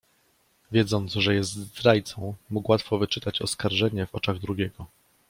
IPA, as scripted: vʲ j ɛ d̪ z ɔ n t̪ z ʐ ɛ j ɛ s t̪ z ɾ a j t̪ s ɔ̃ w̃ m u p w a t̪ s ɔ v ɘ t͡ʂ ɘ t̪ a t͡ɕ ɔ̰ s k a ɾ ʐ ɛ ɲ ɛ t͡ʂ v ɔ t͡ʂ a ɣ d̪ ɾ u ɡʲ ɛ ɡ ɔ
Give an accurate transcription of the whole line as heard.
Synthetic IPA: vʲ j ɛ d̪ z ɔ n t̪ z ʐ ɛ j ɛ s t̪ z ɾ a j t̪ s ɔ̃ w̃ m u k w a t̪ f ɔ v ɘ t͡ʂ ɘ t̪ a t͡ɕ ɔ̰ s k a ɾ ʐ ɛ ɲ ɛ v ɔ t͡ʂ a ɣ d̪ ɾ u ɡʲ ɛ ɡ ɔ